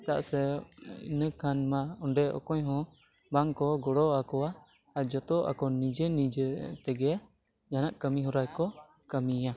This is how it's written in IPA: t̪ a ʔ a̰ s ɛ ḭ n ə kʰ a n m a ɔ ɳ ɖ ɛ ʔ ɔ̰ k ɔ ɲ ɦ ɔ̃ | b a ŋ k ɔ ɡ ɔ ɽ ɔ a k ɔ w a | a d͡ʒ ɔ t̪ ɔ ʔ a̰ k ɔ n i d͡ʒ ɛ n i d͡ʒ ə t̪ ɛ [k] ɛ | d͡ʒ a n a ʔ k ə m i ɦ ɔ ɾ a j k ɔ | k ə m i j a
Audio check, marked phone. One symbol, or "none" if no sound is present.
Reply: ɡ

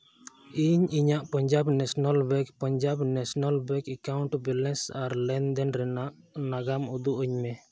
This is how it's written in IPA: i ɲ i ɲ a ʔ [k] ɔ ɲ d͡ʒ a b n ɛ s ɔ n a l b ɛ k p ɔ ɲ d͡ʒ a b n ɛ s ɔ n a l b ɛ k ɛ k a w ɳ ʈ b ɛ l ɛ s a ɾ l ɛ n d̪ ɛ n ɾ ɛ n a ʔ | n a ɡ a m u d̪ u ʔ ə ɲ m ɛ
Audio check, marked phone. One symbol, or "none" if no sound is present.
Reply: p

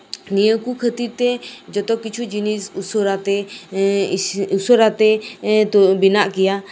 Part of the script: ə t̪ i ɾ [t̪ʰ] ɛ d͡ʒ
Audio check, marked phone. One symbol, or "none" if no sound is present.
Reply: t̪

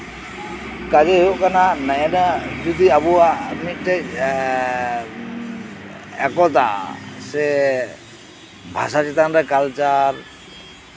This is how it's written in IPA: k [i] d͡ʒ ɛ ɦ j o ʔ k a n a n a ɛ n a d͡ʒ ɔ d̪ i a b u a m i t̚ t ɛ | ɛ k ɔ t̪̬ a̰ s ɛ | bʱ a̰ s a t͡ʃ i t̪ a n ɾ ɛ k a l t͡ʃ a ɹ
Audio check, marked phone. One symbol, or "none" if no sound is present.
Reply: a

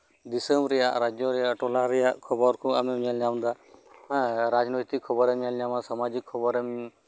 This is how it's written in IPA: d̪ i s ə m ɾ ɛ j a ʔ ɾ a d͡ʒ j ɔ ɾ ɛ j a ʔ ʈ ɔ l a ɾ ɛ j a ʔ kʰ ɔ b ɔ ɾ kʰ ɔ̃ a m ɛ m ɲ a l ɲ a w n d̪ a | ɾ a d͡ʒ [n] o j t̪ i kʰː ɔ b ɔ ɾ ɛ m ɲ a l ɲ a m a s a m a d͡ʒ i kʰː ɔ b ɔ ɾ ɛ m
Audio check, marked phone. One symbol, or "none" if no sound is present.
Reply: n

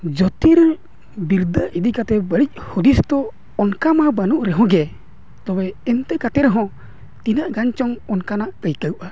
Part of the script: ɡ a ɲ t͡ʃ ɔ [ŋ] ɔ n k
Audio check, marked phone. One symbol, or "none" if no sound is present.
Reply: ŋ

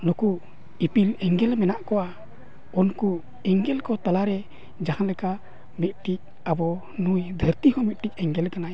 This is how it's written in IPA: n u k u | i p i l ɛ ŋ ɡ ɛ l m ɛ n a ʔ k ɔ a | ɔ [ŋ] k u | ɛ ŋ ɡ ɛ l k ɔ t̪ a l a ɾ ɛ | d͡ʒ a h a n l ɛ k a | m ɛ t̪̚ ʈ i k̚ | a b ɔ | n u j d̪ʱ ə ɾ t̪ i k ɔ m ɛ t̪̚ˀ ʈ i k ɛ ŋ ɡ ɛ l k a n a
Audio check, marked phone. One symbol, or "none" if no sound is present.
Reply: n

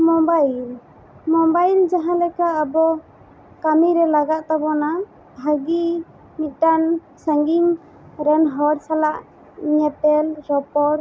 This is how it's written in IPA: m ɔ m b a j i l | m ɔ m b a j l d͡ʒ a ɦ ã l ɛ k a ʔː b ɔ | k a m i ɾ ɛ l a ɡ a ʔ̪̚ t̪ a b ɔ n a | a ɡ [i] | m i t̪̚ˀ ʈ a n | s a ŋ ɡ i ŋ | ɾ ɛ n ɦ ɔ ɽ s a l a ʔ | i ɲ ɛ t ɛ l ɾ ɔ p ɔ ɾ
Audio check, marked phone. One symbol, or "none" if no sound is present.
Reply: i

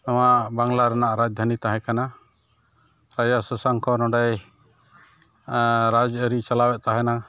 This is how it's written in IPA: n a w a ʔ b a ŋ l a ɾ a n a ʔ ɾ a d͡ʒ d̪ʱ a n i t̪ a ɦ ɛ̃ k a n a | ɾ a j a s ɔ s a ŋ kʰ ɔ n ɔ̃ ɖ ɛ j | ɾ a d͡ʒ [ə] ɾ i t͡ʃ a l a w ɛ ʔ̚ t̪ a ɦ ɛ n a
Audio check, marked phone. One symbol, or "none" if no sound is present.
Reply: ə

